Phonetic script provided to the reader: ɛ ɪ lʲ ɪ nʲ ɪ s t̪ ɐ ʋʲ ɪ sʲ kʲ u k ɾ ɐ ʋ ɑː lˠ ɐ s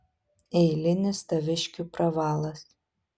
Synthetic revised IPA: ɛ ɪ lʲ ɪ nʲ ɪ s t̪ ɐ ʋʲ ɪ ʃʲ kʲ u p ɾ ɐ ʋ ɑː lˠ ɐ s